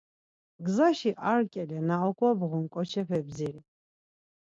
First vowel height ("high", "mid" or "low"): low